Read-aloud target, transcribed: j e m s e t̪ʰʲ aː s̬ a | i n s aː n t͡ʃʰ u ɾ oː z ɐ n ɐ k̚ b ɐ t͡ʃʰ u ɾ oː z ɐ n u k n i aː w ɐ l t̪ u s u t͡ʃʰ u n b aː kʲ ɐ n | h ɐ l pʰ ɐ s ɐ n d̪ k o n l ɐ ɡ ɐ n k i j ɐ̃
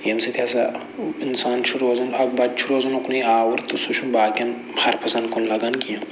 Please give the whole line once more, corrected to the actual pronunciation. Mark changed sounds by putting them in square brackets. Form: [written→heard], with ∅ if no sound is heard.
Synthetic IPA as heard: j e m s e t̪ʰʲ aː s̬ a | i n s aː n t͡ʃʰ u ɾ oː z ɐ n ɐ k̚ b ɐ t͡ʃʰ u ɾ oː z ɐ n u k n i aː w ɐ [l→ɾ] t̪ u s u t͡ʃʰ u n b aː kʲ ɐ n | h ɐ [l→ɾ] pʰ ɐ s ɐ n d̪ k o n l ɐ ɡ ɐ n k i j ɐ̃